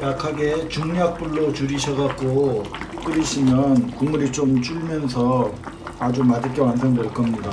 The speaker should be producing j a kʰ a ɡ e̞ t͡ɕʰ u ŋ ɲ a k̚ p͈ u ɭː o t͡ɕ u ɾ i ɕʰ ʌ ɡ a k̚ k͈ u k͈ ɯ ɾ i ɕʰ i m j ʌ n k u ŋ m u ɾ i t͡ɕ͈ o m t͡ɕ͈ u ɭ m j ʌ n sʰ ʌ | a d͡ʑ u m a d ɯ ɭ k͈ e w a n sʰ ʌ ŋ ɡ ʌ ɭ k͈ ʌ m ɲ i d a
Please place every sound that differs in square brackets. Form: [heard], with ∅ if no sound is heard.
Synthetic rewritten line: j a kʰ a ɡ e̞ [t͡ɕ] u ŋ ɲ a k̚ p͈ u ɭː o t͡ɕ u ɾ i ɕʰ ʌ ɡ a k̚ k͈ [o] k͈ ɯ ɾ i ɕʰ i m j ʌ n k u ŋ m u ɾ i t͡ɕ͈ o m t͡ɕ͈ u ɭ m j ʌ n sʰ ʌ | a d͡ʑ u m a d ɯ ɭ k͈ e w a n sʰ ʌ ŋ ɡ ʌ ɭ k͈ ʌ m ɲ i d a